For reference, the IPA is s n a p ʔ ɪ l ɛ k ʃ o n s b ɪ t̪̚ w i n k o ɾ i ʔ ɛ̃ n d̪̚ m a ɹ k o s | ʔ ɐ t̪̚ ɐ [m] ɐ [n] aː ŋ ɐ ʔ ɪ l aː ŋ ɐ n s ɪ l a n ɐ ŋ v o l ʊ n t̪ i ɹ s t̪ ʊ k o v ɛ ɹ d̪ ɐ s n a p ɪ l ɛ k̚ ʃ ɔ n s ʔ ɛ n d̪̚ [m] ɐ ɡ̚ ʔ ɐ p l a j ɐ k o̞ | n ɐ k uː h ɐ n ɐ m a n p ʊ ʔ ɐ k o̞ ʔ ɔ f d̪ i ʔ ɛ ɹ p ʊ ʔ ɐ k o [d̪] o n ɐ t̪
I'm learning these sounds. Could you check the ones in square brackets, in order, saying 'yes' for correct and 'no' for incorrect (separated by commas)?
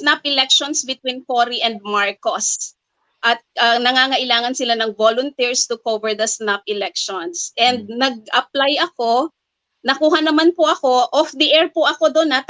no, no, no, yes